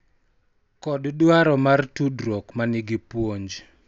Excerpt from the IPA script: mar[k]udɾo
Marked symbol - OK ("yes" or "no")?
no